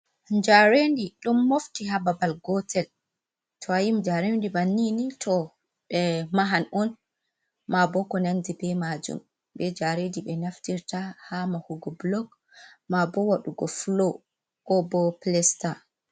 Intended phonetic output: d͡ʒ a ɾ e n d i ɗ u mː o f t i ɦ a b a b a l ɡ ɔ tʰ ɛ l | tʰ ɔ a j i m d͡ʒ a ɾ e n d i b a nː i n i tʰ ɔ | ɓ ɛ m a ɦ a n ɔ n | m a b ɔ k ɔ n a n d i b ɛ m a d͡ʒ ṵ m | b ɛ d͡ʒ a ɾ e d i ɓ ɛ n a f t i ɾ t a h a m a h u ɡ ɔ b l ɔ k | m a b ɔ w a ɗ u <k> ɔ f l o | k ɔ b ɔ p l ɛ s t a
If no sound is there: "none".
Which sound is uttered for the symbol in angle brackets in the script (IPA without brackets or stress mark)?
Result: ɡ